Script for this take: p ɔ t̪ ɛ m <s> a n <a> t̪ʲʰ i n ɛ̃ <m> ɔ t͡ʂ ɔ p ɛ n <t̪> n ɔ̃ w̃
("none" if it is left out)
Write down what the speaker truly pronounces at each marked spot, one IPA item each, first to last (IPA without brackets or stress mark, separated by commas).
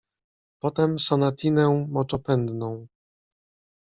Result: s, a, m, d̪